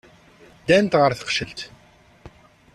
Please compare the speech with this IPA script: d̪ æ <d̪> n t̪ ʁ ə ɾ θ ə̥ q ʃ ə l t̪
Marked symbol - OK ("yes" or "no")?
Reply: no